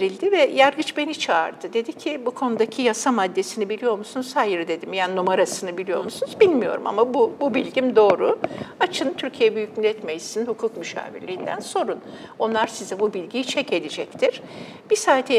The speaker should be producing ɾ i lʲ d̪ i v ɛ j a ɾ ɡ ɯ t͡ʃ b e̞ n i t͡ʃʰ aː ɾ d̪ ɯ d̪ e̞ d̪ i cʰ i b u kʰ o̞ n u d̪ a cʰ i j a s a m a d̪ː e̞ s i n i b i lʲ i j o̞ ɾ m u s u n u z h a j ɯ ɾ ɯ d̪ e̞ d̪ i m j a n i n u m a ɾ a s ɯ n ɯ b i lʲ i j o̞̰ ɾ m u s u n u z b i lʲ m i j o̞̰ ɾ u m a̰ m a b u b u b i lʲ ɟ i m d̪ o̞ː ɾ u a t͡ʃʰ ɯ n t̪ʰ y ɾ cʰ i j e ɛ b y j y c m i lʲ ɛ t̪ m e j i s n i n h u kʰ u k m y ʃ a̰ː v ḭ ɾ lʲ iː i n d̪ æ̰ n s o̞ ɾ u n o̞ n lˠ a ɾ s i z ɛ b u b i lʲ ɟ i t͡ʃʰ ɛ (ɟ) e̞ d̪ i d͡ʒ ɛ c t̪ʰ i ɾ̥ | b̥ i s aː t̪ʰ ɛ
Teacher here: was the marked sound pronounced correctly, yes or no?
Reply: no